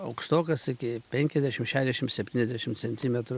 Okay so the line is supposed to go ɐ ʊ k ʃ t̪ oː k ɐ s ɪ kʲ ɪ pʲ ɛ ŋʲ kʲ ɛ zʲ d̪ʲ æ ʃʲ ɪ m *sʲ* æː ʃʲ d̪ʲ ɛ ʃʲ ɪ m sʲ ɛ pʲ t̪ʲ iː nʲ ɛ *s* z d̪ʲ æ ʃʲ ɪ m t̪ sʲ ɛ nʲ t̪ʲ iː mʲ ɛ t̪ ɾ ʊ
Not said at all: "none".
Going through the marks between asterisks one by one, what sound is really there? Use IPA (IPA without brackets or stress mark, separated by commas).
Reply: ʃʲ, none